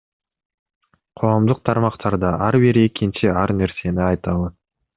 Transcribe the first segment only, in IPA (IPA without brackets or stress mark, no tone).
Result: qʰ